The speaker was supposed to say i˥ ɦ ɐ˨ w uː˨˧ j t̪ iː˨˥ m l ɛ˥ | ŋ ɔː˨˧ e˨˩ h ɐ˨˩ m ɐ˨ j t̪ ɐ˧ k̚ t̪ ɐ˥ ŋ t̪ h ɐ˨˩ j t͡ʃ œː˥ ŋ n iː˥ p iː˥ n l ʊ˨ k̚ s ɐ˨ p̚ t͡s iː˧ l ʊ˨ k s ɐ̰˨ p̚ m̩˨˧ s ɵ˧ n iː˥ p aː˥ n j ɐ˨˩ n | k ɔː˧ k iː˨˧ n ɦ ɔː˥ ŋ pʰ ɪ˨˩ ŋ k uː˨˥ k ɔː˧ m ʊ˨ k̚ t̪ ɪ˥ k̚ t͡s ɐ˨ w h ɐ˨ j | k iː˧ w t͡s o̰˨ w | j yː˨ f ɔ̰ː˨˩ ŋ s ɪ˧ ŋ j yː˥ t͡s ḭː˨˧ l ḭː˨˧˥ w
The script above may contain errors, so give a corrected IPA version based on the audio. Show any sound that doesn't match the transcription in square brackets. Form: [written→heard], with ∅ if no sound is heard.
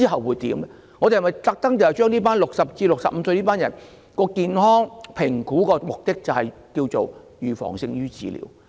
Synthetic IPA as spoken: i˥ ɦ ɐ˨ w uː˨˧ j t̪ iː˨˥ m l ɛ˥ | ŋ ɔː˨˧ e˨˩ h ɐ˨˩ m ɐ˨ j t̪ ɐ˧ k̚ t̪ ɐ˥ ŋ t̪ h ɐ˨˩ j t͡ʃ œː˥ ŋ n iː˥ p [iː˥→aː˥] n l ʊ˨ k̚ s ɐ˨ p̚ t͡s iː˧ l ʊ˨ k s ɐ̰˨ p̚ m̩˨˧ s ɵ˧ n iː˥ p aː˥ n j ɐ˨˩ n | k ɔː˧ k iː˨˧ n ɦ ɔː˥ ŋ pʰ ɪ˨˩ ŋ k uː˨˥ k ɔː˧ m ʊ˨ k̚ t̪ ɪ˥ k̚ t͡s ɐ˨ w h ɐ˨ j | k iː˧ w t͡s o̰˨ w | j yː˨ f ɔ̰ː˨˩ ŋ s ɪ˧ ŋ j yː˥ t͡s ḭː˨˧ l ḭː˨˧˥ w